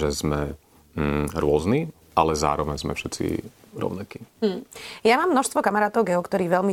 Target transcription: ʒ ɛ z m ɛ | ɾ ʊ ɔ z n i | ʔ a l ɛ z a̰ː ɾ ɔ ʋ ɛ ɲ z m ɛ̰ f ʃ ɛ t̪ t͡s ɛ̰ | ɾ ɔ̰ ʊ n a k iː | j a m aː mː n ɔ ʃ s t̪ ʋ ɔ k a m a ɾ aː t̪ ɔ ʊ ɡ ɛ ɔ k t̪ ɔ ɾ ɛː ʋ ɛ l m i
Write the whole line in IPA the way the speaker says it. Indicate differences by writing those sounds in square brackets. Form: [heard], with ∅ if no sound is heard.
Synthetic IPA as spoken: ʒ ɛ z m ɛ | ɾ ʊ ɔ z n i | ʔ a l ɛ z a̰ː ɾ ɔ ʋ ɛ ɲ z m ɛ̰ f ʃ ɛ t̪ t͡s [ḭ] | ɾ ɔ̰ ʊ n a k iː | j a m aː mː n ɔ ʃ s t̪ ʋ ɔ k a m a ɾ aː t̪ ɔ ʊ ɡ ɛ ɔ k t̪ ɔ ɾ [iː] ʋ ɛ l m i